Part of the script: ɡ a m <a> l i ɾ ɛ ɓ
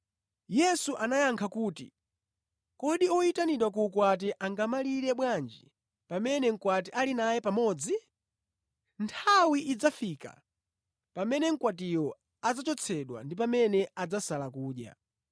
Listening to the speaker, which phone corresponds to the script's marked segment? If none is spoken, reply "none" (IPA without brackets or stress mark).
a